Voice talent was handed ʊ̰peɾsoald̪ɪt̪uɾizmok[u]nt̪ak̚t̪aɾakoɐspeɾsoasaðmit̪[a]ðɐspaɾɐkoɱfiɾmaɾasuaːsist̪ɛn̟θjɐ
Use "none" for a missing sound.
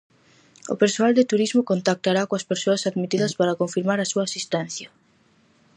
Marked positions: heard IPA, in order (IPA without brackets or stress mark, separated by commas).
o, i